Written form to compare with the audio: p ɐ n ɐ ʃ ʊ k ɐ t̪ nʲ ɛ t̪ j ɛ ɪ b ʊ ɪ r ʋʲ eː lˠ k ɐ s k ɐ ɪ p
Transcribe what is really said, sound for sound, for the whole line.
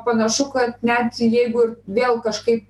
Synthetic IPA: p ɐ n ɐ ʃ ʊ k ɐ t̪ nʲ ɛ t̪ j ɛ ɪ ɡ ʊ ɪ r ʋʲ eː lˠ k ɐ ʃ k ɐ ɪ p